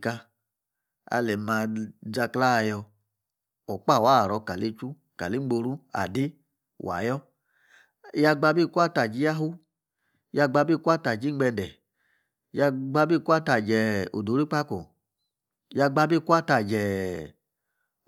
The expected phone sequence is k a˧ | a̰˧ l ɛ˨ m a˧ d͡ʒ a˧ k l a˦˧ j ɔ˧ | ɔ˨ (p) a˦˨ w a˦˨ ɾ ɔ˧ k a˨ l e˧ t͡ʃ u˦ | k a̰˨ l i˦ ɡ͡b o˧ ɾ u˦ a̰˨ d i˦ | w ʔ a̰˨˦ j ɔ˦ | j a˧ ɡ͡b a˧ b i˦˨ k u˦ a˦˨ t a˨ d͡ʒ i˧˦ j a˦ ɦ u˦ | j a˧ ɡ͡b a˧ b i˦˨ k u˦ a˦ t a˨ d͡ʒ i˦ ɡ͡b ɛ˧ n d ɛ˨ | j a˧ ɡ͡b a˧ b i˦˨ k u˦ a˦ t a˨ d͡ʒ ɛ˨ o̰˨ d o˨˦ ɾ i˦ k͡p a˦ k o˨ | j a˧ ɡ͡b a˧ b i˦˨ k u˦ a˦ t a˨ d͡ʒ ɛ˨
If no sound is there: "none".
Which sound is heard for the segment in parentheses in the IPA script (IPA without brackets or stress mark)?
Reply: k͡p